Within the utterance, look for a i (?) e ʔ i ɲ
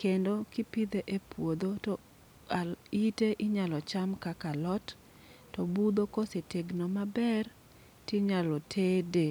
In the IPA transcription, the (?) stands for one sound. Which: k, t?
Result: t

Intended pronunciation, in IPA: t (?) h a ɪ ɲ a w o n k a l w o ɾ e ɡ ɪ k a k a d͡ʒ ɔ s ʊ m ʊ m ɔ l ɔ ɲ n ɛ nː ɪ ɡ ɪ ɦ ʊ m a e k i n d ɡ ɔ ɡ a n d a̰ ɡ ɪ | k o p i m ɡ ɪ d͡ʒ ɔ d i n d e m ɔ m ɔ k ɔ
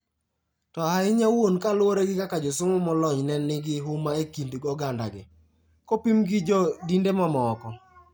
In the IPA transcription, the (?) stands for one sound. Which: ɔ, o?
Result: ɔ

